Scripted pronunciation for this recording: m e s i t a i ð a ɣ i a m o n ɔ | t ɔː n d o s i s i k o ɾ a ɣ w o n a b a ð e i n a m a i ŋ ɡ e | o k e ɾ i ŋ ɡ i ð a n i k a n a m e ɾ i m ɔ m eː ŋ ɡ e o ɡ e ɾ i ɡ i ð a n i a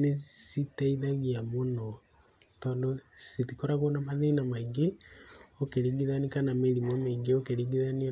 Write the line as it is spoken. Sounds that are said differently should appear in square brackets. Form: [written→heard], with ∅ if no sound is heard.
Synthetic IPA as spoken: [m→n] e s i t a i ð a ɣ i a m o n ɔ | t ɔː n d o s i [s→t] i k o ɾ a ɣ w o n a [b→m] a ð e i n a m a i ŋ ɡ e | o k e ɾ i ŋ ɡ i ð a n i k a n a m e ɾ i m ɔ m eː ŋ ɡ e o [ɡ→k] e ɾ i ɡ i ð a n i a